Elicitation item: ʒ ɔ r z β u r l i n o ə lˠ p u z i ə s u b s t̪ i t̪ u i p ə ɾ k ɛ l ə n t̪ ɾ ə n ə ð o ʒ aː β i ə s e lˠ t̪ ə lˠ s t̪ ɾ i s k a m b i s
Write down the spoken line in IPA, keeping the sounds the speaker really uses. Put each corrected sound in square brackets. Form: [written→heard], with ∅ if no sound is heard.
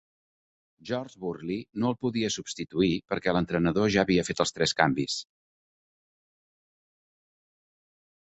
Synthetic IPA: ʒ ɔ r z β u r l i n o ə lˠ p u [z→ð] i ə s u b s t̪ i t̪ u i p ə ɾ k ɛ l ə n t̪ ɾ ə n ə ð o ʒ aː β i ə [s→f] e [lˠ→∅] t̪ ə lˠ s t̪ ɾ [i→ɛ] s k a m b i s